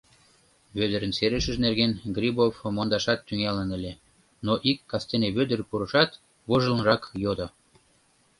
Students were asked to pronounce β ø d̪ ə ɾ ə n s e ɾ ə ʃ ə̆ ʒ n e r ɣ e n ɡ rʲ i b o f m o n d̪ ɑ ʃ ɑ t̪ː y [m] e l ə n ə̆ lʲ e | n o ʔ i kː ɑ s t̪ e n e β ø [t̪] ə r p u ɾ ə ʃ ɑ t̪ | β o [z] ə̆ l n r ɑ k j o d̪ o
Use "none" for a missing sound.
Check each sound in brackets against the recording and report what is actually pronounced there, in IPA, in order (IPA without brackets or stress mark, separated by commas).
ŋ, d̪, ʒ